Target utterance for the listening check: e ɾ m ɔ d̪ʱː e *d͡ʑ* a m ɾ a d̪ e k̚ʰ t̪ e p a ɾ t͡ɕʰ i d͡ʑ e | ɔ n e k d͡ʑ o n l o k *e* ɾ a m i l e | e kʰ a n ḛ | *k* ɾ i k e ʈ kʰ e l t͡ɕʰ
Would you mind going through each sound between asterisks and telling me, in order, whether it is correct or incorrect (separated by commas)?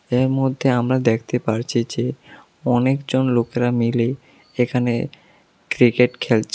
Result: incorrect, correct, correct